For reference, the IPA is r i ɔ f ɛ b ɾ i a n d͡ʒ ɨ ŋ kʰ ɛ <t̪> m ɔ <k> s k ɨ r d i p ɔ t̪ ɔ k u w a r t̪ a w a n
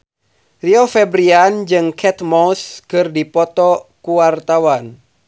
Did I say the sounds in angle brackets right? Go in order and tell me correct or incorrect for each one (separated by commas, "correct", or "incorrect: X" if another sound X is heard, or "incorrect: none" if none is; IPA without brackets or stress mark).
correct, incorrect: none